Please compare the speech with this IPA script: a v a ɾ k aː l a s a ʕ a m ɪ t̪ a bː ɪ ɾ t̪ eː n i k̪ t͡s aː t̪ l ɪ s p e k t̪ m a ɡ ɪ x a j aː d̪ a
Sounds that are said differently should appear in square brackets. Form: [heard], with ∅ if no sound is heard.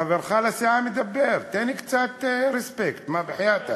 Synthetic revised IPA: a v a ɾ [x] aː l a s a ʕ a m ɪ [d̪] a bː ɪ ɾ t̪ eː n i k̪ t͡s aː t̪ [ɾ] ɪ s p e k t̪ m a [b] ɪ [ħ] a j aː [t̪] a